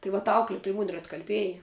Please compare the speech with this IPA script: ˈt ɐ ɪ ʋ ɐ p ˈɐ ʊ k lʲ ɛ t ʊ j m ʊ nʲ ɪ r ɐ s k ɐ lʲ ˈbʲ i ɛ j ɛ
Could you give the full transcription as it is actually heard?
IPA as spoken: ˈt ɐ ɪ ʋ ɐ t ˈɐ ʊ k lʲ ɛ t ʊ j m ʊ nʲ ɪ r ɐ t k ɐ lʲ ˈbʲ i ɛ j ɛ